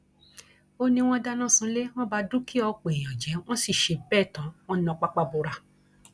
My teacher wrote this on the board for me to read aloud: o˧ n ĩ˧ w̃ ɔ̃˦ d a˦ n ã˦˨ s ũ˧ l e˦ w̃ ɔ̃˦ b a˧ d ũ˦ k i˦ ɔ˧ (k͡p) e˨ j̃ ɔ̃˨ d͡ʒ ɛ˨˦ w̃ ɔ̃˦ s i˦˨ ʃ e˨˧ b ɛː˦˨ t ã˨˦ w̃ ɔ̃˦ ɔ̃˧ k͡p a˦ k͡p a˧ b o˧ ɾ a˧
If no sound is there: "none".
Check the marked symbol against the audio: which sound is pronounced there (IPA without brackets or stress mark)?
k͡p